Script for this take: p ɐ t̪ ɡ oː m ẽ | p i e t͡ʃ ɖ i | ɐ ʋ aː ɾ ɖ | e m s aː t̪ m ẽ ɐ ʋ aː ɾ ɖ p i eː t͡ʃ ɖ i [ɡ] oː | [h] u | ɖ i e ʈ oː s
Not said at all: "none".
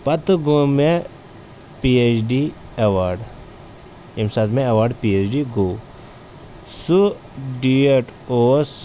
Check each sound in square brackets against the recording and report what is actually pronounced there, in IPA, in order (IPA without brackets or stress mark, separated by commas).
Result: ɡ, s